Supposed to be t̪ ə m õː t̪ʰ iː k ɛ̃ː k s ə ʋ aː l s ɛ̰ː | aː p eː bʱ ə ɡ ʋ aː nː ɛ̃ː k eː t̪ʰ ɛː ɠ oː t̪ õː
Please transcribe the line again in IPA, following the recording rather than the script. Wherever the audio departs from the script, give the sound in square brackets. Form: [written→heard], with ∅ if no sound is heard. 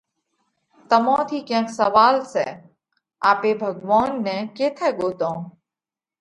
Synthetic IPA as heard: t̪ ə m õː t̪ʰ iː k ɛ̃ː k s ə ʋ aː l s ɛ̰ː | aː p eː bʱ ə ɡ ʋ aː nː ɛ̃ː k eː t̪ʰ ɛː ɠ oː t̪ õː